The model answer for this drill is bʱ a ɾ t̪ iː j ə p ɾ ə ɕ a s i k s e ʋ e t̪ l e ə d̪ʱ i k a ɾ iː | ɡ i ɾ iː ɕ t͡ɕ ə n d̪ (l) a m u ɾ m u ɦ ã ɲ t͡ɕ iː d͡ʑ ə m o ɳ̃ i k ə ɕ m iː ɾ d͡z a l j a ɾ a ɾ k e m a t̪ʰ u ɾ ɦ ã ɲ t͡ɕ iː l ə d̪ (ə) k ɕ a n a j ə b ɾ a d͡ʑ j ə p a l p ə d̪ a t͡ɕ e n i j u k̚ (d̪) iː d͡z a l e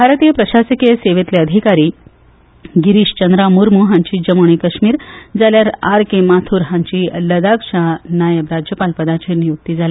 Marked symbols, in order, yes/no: no, no, no

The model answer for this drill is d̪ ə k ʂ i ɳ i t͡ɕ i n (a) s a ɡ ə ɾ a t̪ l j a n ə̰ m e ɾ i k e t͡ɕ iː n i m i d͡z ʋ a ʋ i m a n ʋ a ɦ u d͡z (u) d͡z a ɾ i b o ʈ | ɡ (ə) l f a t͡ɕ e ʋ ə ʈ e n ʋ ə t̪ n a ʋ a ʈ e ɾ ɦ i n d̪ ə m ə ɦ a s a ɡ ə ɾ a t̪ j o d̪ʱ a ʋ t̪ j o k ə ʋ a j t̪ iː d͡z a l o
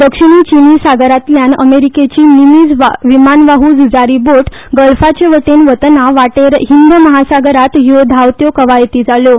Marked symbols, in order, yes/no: no, yes, yes

